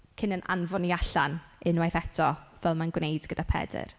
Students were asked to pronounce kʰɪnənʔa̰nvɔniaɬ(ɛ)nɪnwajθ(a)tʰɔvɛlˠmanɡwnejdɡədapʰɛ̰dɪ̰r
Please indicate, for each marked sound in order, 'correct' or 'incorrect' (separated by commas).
incorrect, incorrect